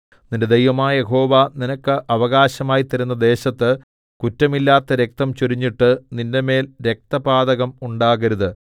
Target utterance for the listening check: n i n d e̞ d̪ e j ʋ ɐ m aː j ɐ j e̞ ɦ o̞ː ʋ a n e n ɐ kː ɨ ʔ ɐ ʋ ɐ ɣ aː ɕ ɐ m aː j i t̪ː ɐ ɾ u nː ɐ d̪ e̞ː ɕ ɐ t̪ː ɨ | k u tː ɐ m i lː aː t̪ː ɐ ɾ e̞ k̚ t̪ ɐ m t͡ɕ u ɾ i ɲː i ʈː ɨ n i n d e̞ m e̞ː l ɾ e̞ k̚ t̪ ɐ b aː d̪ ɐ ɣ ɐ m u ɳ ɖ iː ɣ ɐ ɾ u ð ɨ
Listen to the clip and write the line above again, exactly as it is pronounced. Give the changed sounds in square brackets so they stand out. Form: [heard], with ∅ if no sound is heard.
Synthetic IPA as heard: n i n d e̞ d̪ e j ʋ ɐ m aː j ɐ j e̞ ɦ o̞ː ʋ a n [i] n ɐ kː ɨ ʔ ɐ ʋ ɐ ɣ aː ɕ ɐ m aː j i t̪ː ɐ ɾ u nː ɐ d̪ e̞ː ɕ ɐ t̪ː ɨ | k u tː ɐ m i lː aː t̪ː ɐ ɾ e̞ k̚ t̪ ɐ m t͡ɕ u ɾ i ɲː i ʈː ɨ n i n d e̞ m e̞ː l ɾ e̞ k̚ t̪ ɐ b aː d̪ ɐ ɣ ɐ m u ɳ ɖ [aː] ɣ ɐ ɾ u ð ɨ